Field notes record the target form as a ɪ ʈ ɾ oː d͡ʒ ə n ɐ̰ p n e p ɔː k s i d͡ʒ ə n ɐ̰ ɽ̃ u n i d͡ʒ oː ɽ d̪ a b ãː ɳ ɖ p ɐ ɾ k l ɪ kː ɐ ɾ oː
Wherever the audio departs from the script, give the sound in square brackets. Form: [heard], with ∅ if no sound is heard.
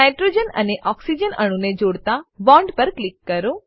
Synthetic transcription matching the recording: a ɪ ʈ ɾ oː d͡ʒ ə n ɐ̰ [∅] n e [ʔ] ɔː k s i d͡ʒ ə n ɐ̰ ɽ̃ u n [e] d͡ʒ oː ɽ [t̪] a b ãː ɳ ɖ p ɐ ɾ k l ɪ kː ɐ ɾ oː